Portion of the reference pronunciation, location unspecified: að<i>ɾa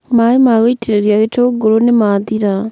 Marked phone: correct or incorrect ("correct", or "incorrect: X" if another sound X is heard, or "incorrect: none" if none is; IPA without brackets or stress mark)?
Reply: correct